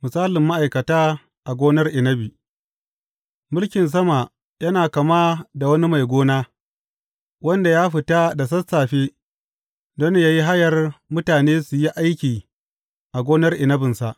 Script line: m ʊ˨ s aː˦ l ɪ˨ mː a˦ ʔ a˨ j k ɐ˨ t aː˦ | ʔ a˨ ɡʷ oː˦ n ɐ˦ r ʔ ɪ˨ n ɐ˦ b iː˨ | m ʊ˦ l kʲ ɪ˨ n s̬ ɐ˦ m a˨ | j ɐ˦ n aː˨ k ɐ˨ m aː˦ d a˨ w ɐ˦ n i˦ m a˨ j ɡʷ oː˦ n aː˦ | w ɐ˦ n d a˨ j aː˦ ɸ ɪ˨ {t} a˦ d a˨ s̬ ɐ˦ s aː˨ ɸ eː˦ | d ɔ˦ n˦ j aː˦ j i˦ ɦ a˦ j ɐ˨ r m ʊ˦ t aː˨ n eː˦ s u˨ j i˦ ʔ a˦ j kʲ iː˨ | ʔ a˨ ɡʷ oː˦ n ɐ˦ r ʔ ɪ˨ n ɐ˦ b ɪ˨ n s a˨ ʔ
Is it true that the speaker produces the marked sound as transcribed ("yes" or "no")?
yes